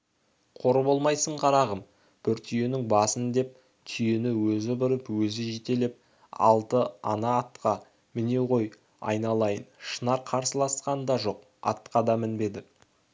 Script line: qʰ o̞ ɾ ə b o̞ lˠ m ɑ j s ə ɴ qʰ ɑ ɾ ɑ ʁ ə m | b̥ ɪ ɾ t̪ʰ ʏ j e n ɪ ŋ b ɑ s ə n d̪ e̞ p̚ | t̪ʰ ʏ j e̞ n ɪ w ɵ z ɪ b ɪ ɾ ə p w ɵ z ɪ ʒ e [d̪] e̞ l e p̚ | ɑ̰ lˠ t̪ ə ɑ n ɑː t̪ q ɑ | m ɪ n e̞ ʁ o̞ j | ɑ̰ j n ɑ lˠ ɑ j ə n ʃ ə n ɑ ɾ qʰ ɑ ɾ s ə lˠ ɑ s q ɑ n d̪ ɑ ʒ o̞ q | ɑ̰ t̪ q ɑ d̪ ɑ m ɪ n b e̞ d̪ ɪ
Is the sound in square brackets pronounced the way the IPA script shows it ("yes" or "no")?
no